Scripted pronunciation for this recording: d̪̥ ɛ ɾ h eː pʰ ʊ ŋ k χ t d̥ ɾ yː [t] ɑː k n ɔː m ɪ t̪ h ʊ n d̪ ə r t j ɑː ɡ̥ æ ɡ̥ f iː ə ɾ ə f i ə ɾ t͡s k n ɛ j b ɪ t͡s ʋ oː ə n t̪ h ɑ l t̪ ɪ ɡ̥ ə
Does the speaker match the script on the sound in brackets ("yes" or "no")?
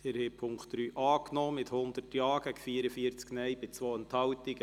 no